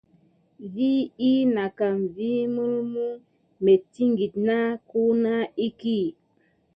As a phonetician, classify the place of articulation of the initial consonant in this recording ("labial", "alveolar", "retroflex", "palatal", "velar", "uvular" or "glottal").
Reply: labial